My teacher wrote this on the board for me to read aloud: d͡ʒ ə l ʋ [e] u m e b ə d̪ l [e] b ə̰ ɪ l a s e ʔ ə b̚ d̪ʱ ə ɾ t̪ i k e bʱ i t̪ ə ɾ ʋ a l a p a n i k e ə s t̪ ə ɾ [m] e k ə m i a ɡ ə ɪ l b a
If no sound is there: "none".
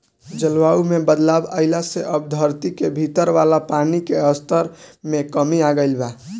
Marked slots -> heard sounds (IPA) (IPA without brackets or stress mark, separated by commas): a, a, m